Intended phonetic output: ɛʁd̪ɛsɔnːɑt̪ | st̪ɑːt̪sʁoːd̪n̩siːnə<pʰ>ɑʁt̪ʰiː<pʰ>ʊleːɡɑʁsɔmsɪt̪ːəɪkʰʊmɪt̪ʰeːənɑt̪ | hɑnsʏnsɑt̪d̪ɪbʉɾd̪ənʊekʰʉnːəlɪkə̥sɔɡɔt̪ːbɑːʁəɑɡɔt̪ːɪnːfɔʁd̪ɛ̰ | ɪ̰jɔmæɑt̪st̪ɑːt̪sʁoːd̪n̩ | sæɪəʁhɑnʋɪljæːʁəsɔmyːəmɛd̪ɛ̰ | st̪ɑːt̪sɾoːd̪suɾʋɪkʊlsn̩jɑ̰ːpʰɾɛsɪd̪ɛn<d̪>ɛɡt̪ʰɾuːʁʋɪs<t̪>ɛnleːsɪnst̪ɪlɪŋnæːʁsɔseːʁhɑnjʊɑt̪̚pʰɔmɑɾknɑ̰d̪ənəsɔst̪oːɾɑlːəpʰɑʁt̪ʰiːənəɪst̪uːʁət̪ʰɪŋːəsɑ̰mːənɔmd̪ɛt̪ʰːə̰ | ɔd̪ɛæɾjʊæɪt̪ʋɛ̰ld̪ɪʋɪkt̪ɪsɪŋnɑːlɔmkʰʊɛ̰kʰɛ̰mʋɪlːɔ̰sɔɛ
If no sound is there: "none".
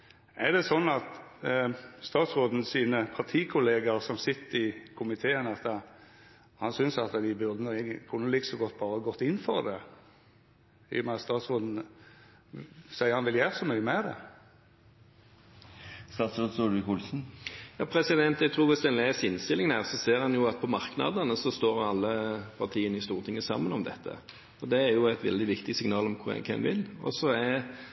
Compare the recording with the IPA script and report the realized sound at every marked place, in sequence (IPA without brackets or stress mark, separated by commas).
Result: pʰ, kʰ, t̪, d̪